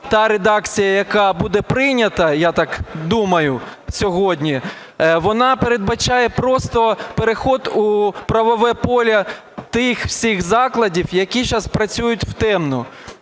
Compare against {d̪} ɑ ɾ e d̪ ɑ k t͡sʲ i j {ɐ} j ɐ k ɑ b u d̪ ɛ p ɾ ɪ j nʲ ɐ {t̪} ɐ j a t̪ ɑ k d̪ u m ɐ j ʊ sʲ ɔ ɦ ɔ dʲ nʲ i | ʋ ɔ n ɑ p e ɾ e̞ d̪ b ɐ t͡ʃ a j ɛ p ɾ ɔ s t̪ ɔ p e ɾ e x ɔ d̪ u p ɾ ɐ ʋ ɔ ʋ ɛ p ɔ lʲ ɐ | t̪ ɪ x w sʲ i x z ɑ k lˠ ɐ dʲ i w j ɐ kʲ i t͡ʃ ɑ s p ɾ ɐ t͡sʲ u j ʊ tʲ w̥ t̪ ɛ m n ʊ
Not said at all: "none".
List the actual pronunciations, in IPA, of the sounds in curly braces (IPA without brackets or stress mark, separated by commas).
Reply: t̪, ɐ, t̪